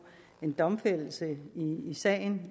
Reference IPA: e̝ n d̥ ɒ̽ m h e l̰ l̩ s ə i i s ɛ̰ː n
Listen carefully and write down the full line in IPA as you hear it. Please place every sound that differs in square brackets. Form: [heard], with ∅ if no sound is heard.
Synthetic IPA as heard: e̝ n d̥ ɒ̽ m [f] e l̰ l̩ s ə i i s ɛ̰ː n